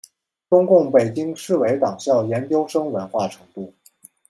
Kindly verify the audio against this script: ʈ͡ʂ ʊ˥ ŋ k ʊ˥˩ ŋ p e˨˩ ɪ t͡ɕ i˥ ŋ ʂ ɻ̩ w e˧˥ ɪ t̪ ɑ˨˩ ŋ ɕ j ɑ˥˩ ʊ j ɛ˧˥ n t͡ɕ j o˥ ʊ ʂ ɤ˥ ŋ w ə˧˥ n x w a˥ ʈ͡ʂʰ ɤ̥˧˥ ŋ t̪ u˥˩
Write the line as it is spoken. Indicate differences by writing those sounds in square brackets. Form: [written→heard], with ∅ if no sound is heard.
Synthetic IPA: ʈ͡ʂ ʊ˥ ŋ k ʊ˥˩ ŋ p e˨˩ ɪ t͡ɕ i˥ ŋ ʂ ɻ̩ w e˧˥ ɪ t̪ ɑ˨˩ ŋ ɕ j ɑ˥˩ ʊ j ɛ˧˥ n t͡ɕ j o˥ ʊ ʂ ɤ˥ ŋ w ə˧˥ n x w [a˥→a˥˩] ʈ͡ʂʰ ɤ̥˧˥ ŋ t̪ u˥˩